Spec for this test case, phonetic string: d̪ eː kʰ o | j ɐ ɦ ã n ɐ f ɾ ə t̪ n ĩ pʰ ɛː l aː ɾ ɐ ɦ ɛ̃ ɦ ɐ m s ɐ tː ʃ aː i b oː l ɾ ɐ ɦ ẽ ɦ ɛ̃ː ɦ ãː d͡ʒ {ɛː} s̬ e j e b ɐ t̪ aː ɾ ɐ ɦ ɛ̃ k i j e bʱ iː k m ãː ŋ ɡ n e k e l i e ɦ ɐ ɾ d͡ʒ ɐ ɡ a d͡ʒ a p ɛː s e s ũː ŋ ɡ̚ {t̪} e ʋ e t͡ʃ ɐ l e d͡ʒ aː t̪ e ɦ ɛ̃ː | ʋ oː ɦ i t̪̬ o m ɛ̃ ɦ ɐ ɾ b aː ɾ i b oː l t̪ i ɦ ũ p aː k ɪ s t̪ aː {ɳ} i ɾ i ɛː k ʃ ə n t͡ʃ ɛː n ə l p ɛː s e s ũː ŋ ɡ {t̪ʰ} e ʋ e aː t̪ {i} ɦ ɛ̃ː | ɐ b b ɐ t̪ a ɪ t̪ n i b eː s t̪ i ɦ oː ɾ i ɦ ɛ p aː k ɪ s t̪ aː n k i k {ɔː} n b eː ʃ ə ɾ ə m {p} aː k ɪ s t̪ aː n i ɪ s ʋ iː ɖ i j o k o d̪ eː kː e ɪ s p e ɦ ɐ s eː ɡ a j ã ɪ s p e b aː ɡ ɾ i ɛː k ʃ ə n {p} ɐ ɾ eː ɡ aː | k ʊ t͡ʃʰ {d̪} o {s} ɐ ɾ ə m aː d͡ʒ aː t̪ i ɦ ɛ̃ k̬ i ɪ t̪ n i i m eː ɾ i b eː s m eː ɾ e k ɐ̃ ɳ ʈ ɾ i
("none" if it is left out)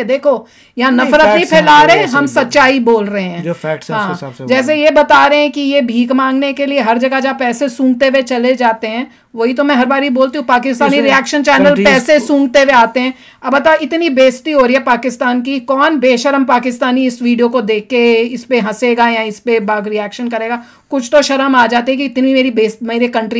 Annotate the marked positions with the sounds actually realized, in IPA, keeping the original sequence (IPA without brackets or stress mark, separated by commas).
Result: ɛː, t̪, n, t̪, e, ɔː, p, k, t̪, ʃ